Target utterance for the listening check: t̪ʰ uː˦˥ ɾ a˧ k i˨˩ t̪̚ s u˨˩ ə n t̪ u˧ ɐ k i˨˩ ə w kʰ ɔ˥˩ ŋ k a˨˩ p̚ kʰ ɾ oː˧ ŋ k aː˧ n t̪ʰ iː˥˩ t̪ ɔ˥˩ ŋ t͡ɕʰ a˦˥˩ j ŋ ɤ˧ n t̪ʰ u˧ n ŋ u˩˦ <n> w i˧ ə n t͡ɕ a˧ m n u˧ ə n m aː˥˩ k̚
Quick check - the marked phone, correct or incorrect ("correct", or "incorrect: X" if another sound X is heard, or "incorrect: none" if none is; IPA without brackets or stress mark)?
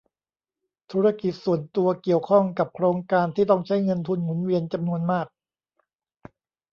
correct